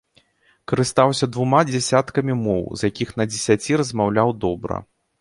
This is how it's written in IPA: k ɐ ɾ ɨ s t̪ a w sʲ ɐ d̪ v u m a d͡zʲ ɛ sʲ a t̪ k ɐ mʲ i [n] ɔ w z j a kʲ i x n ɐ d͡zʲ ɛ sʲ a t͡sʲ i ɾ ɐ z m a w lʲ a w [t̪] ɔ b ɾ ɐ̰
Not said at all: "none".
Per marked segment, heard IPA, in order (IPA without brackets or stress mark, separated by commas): m, d̪